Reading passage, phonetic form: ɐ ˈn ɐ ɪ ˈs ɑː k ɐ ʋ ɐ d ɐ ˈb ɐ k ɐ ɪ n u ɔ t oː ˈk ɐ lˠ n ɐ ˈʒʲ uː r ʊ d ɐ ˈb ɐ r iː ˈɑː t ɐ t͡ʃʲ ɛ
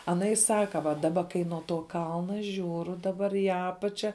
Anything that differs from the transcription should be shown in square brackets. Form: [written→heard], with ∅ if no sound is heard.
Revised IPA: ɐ ˈn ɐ ɪ ˈs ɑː k ɐ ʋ ɐ d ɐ ˈb ɐ k ɐ ɪ n u ɔ t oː ˈk ɐ lˠ n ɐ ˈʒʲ uː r ʊ d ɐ ˈb ɐ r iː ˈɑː [t→p] ɐ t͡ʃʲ ɛ